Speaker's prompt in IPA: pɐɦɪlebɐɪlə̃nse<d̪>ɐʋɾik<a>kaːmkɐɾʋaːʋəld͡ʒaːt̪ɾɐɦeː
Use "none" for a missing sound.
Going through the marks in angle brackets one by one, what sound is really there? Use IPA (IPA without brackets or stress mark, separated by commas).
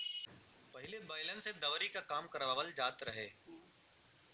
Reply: d̪, a